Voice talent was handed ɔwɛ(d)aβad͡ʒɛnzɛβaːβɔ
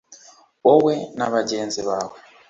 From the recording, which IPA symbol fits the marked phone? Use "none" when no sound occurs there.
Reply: n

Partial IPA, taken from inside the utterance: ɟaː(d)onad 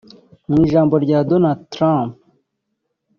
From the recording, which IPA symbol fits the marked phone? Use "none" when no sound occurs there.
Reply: d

